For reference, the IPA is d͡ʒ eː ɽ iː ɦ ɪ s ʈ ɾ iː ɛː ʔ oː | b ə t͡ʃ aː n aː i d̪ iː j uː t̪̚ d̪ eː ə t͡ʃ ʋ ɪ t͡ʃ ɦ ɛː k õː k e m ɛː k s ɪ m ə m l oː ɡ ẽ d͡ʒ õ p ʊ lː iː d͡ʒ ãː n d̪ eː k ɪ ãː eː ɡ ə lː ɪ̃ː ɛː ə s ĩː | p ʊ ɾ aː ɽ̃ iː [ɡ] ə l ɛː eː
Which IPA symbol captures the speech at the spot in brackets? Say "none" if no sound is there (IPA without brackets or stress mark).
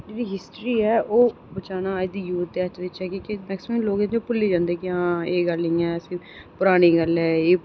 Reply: ɡ